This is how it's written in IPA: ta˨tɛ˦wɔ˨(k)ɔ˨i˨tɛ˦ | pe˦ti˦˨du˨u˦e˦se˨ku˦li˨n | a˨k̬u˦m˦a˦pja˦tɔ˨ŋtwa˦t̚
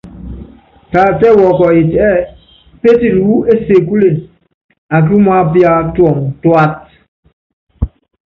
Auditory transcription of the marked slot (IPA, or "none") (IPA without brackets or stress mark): k